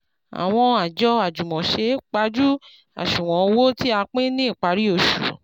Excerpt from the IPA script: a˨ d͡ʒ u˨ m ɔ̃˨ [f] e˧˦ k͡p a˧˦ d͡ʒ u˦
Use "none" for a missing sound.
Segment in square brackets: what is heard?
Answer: ʃ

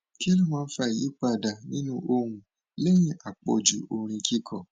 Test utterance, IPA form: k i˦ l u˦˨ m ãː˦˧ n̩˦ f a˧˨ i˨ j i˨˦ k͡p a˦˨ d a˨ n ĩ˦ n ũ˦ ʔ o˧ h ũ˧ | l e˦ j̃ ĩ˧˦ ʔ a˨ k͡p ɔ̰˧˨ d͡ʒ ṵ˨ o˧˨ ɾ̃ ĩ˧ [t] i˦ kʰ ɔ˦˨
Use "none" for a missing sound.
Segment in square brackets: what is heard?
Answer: k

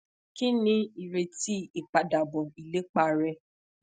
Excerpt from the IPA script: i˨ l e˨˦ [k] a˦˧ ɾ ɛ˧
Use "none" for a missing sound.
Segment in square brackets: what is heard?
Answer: k͡p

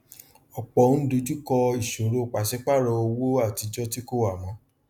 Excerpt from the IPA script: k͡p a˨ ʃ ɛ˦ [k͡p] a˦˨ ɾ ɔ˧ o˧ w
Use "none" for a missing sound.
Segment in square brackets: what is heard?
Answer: k͡p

